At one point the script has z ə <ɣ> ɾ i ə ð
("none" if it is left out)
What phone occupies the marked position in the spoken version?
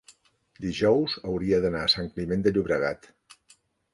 w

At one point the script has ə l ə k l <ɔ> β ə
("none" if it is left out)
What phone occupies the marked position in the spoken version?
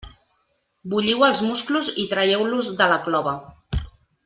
ɔ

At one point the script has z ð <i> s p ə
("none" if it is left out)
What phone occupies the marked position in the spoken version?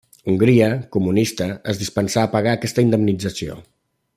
i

